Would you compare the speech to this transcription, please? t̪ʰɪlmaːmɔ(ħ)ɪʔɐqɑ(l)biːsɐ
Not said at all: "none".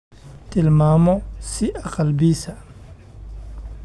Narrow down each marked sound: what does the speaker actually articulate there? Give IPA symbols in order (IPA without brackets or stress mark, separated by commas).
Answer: s, l